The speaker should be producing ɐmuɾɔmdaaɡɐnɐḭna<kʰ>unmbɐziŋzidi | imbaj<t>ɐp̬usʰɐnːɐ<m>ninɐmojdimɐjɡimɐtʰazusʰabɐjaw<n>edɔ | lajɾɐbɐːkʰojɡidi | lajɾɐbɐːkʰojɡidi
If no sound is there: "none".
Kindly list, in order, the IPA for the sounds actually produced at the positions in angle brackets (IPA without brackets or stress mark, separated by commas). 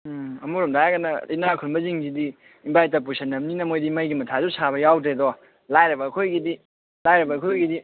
kʰ, t, m, d